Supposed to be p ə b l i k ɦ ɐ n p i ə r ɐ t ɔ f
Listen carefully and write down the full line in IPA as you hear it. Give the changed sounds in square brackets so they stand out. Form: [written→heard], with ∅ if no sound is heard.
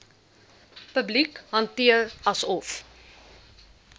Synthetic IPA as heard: p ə b l i k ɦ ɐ n [p→t] i ə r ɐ [t→s] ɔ f